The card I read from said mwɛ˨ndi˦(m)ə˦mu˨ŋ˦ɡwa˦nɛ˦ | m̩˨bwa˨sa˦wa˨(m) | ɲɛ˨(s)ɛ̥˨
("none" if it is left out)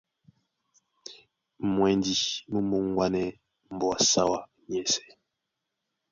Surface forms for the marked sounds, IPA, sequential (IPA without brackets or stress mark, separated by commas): m, none, s